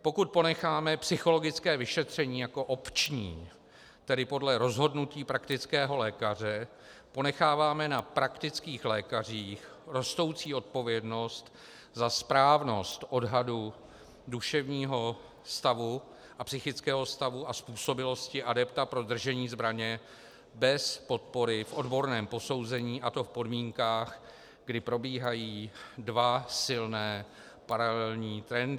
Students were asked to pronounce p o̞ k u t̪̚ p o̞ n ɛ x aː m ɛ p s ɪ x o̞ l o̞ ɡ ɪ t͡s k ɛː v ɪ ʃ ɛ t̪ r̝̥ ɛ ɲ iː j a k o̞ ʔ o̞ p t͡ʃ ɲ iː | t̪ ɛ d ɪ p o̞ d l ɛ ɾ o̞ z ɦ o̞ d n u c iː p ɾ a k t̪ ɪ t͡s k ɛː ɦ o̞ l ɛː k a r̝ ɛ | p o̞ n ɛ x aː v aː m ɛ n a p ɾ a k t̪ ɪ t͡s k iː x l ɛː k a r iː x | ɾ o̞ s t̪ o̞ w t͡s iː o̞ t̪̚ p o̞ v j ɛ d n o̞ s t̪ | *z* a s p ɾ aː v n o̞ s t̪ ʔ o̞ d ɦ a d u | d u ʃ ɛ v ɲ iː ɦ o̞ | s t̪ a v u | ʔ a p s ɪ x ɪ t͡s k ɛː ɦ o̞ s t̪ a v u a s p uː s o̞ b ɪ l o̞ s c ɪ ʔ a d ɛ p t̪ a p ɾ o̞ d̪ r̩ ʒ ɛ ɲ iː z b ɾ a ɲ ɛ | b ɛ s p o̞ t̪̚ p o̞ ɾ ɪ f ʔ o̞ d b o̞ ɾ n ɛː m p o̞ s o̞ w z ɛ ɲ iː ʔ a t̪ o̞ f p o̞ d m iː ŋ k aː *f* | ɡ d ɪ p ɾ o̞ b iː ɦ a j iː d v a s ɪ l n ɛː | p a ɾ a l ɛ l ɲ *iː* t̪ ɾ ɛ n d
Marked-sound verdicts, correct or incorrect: correct, incorrect: x, correct

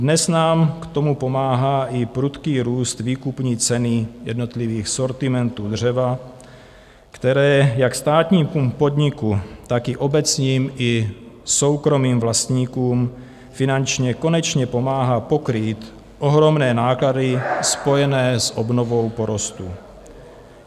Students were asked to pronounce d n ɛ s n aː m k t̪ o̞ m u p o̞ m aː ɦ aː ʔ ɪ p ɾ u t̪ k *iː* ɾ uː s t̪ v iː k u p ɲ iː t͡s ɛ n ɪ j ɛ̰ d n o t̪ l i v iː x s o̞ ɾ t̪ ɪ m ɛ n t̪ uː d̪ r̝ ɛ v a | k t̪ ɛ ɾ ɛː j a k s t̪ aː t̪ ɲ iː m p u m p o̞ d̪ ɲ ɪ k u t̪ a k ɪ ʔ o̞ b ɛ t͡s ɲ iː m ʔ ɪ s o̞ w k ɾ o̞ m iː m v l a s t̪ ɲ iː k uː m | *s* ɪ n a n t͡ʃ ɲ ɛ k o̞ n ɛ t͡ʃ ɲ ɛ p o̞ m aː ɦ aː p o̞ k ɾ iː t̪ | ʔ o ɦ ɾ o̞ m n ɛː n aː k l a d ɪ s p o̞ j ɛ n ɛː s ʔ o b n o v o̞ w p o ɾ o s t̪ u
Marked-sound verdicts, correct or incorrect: correct, incorrect: f

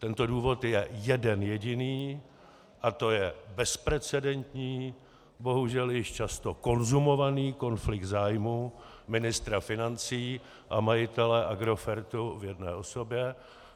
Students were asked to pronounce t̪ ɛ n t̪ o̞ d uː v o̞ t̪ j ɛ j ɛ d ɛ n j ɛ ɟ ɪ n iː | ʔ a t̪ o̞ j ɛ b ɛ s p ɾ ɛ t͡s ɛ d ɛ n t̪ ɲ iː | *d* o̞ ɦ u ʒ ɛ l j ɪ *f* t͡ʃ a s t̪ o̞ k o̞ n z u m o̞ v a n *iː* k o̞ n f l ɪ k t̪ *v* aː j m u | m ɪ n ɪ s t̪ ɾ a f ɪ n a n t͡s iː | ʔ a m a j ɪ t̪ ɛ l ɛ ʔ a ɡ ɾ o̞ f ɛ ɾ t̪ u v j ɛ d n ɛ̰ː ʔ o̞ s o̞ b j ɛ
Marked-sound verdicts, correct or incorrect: incorrect: b, incorrect: ʃ, correct, incorrect: z

